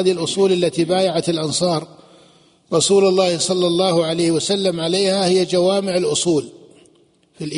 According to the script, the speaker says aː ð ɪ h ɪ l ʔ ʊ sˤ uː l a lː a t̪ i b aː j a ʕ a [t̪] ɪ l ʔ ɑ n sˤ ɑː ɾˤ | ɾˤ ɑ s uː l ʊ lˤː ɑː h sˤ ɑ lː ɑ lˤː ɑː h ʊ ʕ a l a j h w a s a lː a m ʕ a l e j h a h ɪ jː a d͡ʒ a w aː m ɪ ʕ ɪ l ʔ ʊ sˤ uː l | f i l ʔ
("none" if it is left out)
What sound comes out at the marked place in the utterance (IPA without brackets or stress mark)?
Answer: t̪